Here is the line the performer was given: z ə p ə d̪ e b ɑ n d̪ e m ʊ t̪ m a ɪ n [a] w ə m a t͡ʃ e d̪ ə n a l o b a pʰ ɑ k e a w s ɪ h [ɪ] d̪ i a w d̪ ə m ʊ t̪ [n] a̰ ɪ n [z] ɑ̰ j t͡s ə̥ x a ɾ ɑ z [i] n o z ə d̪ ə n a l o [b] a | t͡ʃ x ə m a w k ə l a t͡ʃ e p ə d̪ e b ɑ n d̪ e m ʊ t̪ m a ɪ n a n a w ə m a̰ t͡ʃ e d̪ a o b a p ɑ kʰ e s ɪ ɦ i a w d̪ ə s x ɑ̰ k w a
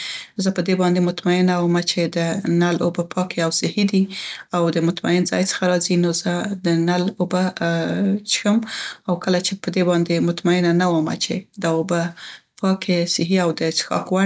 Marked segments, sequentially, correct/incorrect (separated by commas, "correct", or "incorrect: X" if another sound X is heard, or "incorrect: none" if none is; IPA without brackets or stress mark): correct, incorrect: i, incorrect: m, correct, correct, correct